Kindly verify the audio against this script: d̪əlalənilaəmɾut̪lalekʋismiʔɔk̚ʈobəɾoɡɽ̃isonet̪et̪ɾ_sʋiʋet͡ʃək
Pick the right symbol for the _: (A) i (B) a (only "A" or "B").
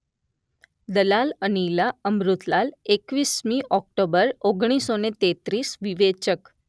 A